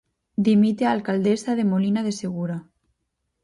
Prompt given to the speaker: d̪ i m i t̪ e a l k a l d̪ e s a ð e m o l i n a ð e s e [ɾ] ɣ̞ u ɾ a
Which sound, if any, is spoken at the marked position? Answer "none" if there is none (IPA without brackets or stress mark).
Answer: none